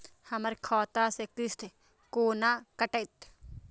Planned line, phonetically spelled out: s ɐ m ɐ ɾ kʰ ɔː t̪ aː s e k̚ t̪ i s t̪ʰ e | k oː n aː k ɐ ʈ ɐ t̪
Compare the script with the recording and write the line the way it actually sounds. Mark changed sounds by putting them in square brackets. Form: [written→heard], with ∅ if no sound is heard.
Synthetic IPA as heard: [s→h] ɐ m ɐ ɾ kʰ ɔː t̪ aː s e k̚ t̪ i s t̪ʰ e | k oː n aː k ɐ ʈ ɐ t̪